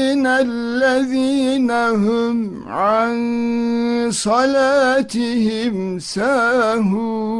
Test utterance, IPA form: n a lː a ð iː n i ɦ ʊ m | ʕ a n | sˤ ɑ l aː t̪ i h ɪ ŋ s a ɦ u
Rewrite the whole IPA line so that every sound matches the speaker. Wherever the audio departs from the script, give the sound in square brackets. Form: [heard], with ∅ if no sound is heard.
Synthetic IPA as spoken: n a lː a ð iː n [a] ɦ ʊ m | ʕ a n | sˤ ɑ l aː t̪ [ɪ] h ɪ [m] s a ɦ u

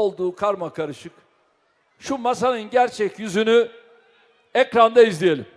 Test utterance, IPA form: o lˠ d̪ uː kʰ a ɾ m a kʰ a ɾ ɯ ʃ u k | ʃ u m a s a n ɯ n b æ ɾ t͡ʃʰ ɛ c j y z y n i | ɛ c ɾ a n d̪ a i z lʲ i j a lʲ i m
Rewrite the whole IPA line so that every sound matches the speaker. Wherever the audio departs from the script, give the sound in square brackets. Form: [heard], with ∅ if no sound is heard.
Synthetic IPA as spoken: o lˠ d̪ uː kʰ a ɾ m a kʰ a ɾ ɯ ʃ [ɯ] k | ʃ u m a s a n ɯ n [ɟ] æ ɾ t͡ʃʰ ɛ c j y z y n [y] | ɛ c ɾ a n d̪ a i z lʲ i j [e] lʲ i m

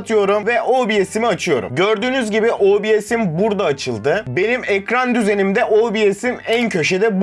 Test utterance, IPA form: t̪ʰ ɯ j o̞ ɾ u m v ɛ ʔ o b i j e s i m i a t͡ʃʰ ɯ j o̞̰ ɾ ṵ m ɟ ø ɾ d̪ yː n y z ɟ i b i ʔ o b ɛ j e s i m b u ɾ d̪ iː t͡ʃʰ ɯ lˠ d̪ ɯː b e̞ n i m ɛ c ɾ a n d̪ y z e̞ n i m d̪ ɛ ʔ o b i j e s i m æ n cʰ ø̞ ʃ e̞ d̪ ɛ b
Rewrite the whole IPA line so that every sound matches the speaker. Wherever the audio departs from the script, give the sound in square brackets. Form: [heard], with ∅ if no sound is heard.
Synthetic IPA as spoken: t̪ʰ ɯ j o̞ ɾ u m v ɛ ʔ o b i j e s i m i a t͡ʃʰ ɯ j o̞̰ ɾ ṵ m ɟ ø ɾ d̪ yː n y z ɟ i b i ʔ o b [i] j e s i m b u ɾ d̪ [aː] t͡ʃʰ ɯ lˠ d̪ [ɯ] b e̞ n i m ɛ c ɾ a n d̪ y z e̞ n i m d̪ ɛ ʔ o b i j e s i m æ n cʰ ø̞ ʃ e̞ d̪ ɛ b

